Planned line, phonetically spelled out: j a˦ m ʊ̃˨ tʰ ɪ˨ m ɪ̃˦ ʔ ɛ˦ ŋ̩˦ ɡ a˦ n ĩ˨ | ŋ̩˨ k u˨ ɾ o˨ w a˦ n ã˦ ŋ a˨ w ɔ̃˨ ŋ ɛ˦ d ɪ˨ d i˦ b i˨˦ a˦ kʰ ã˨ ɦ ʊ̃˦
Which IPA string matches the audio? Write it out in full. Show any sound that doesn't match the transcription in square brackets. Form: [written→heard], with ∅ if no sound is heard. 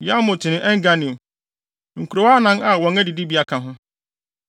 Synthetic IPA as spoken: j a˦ m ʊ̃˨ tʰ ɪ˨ [m→n] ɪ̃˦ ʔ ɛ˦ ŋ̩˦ ɡ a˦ n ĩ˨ | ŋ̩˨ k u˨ ɾ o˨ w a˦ n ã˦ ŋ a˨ w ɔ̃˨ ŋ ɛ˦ d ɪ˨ d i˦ b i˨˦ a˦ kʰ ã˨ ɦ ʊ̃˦